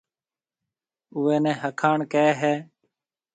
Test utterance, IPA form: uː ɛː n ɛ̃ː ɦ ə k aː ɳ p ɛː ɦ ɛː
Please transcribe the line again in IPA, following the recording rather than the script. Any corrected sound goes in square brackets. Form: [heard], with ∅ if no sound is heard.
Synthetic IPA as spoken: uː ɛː n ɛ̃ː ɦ ə [kʰ] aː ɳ [k] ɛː ɦ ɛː